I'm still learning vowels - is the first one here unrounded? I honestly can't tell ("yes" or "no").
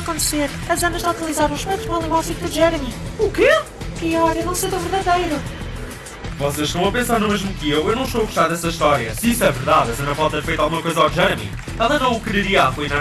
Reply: no